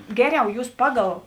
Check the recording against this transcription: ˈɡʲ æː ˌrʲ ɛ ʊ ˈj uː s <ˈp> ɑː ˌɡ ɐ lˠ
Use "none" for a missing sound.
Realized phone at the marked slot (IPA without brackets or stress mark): p